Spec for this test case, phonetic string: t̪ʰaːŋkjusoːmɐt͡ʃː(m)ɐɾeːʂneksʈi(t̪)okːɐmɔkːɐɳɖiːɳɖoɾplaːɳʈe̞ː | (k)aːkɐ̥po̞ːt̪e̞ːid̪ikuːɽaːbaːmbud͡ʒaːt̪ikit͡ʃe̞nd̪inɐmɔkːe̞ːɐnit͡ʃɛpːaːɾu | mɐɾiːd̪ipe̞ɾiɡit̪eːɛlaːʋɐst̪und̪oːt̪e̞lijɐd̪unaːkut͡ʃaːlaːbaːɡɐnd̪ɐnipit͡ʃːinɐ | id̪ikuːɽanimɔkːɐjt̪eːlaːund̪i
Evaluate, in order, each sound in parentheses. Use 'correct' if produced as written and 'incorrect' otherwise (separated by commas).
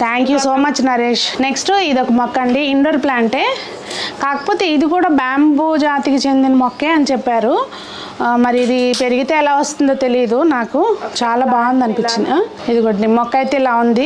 incorrect, incorrect, correct